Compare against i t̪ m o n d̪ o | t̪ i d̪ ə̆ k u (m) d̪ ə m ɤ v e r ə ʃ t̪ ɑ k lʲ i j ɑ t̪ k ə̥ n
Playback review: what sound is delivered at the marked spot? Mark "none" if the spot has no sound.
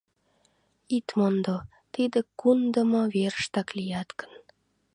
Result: n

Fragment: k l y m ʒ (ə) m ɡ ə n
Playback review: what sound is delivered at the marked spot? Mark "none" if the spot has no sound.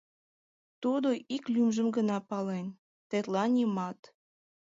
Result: ə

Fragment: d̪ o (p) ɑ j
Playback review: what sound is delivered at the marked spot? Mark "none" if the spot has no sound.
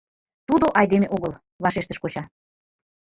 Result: ʔ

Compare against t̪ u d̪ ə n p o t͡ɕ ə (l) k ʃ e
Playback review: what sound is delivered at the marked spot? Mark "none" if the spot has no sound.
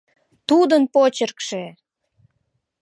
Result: r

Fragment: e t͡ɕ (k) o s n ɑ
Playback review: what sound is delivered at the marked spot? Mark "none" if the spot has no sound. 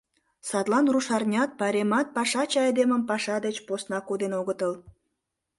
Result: p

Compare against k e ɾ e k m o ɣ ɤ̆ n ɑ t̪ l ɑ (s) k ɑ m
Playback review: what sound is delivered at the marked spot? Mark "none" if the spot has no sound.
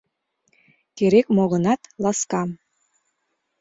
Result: s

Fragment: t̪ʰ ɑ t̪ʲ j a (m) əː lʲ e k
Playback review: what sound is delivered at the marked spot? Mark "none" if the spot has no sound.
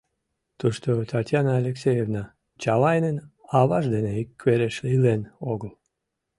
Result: n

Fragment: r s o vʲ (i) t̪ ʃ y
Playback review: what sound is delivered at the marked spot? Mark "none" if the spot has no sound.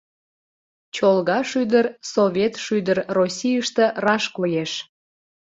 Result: e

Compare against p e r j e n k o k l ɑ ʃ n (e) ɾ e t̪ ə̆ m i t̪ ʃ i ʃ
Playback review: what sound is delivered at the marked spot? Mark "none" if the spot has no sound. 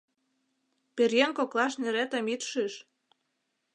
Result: e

